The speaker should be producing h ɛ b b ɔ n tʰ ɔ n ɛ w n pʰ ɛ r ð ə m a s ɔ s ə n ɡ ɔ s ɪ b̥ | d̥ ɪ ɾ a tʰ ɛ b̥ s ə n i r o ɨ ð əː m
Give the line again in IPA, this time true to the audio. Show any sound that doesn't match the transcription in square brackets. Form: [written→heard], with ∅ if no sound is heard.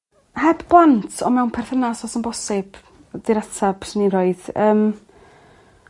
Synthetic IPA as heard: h ɛ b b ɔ n tʰ ɔ [n→m] ɛ w n pʰ ɛ r [ð→θ] ə [m→n] a s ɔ s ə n [ɡ→b] ɔ s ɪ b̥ | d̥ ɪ ɾ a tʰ [ɛ→a] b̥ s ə n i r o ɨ ð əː m

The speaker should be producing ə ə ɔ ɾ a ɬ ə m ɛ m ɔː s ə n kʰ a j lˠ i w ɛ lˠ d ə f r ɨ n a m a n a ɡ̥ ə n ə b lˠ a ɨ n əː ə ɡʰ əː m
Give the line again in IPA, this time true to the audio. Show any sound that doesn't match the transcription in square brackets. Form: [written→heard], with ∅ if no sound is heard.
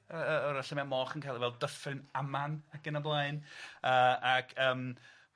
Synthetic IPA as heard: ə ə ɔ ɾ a ɬ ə m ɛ m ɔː [s→χ] ə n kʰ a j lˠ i [w→v] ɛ lˠ d ə f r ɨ n a m a n a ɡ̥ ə n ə b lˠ a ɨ n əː [ə→a] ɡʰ əː m

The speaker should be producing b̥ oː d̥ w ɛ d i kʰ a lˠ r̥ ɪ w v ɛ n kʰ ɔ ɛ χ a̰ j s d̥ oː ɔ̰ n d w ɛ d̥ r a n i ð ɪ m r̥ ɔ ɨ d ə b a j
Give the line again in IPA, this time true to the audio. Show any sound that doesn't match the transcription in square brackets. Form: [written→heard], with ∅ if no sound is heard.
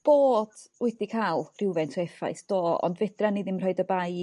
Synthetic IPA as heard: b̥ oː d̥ w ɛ d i kʰ a lˠ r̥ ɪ w v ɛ n [kʰ→tʰ] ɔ ɛ [χ→f] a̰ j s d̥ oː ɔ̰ n d [w→v] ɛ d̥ r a n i ð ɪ m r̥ ɔ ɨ d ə b a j

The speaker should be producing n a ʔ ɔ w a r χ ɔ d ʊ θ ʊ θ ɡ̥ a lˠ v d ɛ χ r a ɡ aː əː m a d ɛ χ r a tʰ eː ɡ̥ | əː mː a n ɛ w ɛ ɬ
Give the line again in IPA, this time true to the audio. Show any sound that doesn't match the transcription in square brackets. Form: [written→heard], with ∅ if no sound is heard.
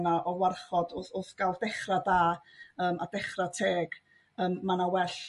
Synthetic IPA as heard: n a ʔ ɔ w a r χ ɔ d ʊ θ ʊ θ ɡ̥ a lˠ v d ɛ χ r a [ɡ→d] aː əː m a d ɛ χ r a tʰ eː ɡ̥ | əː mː a n [ɛ→a] w ɛ ɬ

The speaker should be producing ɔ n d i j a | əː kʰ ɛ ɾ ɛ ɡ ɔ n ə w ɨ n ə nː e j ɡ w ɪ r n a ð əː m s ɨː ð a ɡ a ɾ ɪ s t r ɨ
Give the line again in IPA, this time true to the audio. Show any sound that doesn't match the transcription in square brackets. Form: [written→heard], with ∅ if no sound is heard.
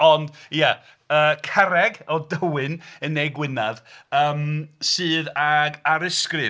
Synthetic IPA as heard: ɔ n d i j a | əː kʰ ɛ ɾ ɛ ɡ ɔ [n→d] ə w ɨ n ə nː e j ɡ w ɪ [r→∅] n a ð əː m s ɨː ð a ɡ a ɾ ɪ s [t→k] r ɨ

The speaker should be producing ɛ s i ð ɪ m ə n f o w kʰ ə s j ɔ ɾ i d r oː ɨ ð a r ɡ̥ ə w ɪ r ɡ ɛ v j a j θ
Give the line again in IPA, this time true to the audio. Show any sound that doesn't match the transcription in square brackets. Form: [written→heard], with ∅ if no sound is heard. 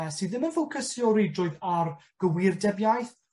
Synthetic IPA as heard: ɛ s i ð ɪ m ə n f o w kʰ ə s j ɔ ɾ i d r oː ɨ ð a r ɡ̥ ə w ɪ r [ɡ→d] ɛ [v→b] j a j θ

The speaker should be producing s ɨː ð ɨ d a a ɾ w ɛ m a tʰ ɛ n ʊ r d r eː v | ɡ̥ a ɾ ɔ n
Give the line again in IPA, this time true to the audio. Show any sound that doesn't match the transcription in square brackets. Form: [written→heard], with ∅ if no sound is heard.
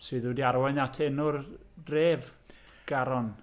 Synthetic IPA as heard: s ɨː ð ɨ d [a→i] a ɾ w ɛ [m→n] a tʰ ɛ n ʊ r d r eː v | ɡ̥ a ɾ ɔ n

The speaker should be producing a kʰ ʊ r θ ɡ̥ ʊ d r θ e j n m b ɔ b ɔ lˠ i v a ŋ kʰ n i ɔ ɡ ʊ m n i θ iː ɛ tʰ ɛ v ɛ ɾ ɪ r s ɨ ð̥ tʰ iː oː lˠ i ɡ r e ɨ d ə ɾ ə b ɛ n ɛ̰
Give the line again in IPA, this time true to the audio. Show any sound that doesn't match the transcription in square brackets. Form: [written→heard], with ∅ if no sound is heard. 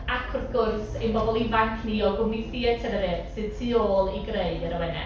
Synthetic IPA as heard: a kʰ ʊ r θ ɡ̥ ʊ [d→∅] r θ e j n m b ɔ b ɔ lˠ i v a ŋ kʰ n i ɔ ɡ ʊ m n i θ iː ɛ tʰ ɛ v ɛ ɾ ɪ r s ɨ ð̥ tʰ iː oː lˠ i ɡ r e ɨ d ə ɾ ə [b→w] ɛ n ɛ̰

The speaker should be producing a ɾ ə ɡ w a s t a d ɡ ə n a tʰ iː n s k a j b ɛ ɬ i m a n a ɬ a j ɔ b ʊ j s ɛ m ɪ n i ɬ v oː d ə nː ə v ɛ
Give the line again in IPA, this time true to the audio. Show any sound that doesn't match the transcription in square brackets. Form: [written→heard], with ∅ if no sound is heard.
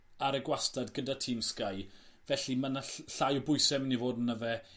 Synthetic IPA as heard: a ɾ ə ɡ w a s t a d ɡ ə [n→d] a tʰ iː [n→m] s k a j [b→v] ɛ ɬ i m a n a ɬ a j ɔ b ʊ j s ɛ m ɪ n i [ɬ→∅] v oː d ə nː ə v ɛ

